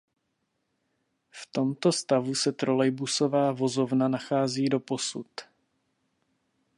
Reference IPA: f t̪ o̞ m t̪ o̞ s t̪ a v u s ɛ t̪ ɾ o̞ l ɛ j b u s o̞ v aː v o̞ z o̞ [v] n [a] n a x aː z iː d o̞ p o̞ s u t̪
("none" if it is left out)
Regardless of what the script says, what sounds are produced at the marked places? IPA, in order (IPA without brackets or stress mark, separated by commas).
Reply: v, a